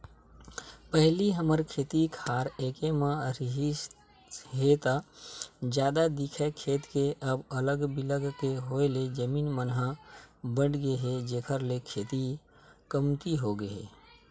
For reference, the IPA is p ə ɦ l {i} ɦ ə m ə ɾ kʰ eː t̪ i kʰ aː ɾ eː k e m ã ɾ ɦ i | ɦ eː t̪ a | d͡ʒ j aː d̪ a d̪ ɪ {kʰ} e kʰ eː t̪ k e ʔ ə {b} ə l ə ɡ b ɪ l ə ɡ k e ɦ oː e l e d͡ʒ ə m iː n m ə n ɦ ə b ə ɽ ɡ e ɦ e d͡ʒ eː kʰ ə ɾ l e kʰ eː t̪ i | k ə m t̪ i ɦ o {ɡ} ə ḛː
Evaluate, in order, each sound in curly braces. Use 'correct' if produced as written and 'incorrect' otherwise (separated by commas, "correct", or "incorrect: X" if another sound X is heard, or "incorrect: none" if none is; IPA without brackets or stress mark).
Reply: correct, correct, correct, correct